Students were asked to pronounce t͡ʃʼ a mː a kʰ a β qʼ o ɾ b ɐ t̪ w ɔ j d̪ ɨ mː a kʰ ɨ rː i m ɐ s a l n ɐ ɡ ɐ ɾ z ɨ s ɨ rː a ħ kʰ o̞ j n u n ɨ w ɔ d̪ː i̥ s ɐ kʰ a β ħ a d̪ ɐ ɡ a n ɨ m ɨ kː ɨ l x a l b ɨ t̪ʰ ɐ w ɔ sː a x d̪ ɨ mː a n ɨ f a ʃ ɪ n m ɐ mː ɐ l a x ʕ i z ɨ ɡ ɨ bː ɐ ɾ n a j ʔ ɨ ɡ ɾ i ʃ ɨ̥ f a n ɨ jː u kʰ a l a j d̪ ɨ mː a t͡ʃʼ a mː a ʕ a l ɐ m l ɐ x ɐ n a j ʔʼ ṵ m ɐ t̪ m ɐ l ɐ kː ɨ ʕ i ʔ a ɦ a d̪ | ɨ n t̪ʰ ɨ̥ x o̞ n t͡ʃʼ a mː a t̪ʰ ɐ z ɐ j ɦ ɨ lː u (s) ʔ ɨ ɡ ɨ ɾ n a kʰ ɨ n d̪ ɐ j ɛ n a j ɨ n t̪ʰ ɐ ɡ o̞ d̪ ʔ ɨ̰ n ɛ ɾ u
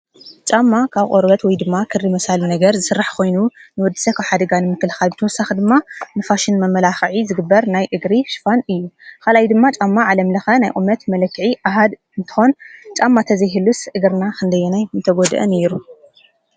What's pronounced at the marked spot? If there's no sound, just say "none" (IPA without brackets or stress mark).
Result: s